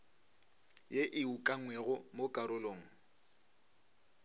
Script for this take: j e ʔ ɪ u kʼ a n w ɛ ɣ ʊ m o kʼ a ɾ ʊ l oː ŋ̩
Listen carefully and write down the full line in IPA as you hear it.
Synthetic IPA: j e ʔ ɪ u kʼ a ŋ w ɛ ɣ ʊ m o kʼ a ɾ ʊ l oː ŋ̩